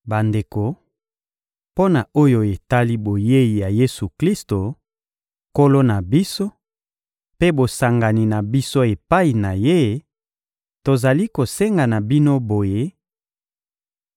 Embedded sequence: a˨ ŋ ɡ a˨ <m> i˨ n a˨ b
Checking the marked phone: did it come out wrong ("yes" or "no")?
yes